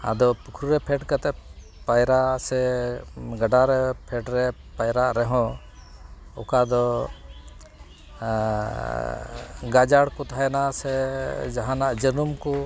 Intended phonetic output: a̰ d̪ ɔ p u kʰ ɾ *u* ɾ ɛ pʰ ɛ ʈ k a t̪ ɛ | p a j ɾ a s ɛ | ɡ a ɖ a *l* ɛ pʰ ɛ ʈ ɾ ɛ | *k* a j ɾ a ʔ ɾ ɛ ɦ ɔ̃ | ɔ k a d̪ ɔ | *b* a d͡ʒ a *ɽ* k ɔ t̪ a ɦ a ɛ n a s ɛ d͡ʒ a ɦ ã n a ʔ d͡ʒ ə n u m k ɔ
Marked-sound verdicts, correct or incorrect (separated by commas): correct, incorrect, incorrect, incorrect, correct